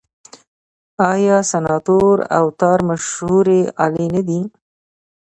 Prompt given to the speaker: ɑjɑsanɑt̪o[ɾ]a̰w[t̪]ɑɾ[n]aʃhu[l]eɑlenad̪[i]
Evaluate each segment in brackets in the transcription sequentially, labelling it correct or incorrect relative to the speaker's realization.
correct, correct, incorrect, incorrect, correct

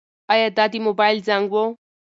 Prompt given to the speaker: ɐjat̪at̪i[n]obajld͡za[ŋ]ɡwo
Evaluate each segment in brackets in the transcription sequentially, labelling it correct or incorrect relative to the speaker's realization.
incorrect, correct

